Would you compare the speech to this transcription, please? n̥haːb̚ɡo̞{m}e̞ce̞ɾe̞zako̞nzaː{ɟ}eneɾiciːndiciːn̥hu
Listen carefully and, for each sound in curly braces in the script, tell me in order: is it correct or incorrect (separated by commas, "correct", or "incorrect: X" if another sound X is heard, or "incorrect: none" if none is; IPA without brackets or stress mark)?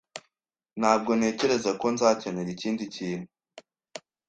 incorrect: n, incorrect: c